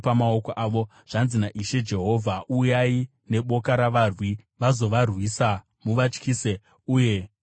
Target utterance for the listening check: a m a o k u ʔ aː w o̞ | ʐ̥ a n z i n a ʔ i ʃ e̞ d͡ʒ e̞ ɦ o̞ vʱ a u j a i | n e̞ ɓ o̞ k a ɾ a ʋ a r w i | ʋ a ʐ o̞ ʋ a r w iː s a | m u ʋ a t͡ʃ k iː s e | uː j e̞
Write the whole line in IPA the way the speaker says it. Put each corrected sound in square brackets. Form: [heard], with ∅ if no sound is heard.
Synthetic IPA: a m a o k [o] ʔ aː [ʋ] o̞ | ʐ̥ a n z i n a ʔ i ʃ e̞ d͡ʒ e̞ ɦ o̞ vʱ a u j a i | n e̞ ɓ o̞ k a ɾ a ʋ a r w i | ʋ a [z] o̞ ʋ a r w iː s a | m u ʋ a t͡ʃ k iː s e | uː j e̞

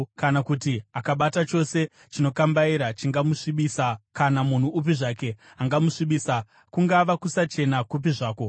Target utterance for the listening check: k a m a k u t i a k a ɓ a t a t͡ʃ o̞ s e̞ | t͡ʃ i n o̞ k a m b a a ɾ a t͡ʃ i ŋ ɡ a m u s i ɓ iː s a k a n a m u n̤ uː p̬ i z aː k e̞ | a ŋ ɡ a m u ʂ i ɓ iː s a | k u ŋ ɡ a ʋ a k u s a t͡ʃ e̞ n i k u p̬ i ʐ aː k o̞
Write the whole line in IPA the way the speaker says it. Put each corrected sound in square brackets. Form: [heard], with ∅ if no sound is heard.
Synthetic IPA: k a [n] a k u t i a k a ɓ a t a t͡ʃ o̞ s e̞ | t͡ʃ i n o̞ k a m b a [i] ɾ a t͡ʃ i ŋ ɡ a m u [ʂ] i ɓ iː s a k a n a m u n̤ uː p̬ i [ʐ] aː k e̞ | a ŋ ɡ a m u ʂ i ɓ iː s a | k u ŋ ɡ a ʋ a k u s a t͡ʃ e̞ n [a] k u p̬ i ʐ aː k o̞

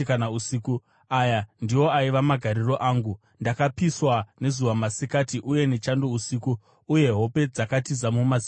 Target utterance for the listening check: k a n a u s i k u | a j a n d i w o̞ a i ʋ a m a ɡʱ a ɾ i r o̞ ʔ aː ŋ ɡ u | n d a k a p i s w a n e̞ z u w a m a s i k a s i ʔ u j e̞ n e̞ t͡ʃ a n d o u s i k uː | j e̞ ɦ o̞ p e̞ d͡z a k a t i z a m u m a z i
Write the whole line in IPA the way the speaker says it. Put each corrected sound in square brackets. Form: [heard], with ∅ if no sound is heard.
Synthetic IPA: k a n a u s i k u | a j a n d i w o̞ a i ʋ a m a ɡʱ a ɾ i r o̞ ʔ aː ŋ ɡ u | n d a k a p i s w a n e̞ z u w a m a s i k a [t] i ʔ u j e̞ n e̞ t͡ʃ a n d o u s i k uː | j e̞ ɦ o̞ p e̞ d͡z a k a t i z a m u m a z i

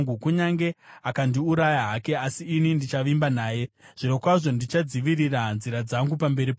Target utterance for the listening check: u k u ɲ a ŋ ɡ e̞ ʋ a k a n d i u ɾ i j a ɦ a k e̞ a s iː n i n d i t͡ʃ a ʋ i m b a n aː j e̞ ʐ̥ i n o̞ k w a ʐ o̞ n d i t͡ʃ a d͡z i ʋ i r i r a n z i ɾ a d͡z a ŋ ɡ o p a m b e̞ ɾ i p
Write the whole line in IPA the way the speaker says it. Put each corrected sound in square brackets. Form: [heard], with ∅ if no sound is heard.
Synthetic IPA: u k u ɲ a ŋ ɡ e̞ [∅] a k a n d i u ɾ [a] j a ɦ a k e̞ a s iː n i n d i t͡ʃ a ʋ i m b a n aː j e̞ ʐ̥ i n o̞ k w a ʐ o̞ n d i t͡ʃ a d͡z i ʋ i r i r a n z i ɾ a d͡z a ŋ ɡ [u] p a m b e̞ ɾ i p

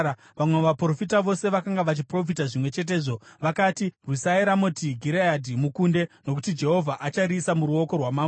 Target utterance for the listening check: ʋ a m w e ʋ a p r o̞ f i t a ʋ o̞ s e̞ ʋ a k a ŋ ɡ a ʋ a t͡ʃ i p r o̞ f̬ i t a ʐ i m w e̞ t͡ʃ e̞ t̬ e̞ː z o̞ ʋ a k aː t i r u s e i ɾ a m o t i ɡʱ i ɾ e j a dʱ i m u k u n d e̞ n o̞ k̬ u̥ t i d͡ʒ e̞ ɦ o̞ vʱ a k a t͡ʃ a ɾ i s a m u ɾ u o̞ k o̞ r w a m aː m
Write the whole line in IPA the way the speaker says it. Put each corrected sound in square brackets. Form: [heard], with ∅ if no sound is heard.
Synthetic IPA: ʋ a m w e ʋ a p r o̞ f i t a ʋ o̞ s e̞ ʋ a k a ŋ ɡ a ʋ a t͡ʃ i p r o̞ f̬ i t a ʐ i m w e̞ t͡ʃ e̞ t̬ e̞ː [ʐ] o̞ ʋ a k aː t i r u s [a] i ɾ a m o t i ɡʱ i ɾ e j a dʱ i m u k u n d e̞ n o̞ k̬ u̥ t i d͡ʒ e̞ ɦ o̞ vʱ a [ʔ] a t͡ʃ a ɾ i s a m u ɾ u o̞ k o̞ r w a m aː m

